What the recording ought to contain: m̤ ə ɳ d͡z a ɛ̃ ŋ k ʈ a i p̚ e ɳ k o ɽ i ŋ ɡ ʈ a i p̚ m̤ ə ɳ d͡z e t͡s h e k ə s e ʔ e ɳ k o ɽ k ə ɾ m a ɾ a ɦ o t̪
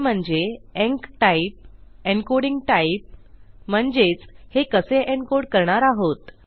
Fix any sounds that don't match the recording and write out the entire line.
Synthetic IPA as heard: m̤ ə ɳ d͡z e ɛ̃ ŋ k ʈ a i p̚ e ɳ k o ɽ i ŋ ɡ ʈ a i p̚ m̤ ə ɳ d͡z e t͡s h e k ə s e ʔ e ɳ k o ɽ k ə ɾ ɳ a ɾ a ɦ o t̪